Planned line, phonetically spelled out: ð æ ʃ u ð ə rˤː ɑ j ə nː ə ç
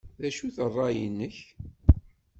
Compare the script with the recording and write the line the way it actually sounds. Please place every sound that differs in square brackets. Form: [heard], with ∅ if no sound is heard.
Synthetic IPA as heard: ð æ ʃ u [θ] ə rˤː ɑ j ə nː ə ç